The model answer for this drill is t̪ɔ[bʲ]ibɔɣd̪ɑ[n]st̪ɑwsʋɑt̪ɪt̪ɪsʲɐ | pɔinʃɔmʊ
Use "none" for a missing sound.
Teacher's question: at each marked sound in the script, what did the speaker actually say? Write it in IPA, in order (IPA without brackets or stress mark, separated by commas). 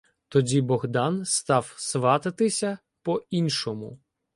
dʲ, n